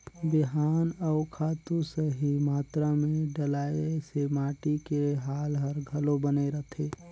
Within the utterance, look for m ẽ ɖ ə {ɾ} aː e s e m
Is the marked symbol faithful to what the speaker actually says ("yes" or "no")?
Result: no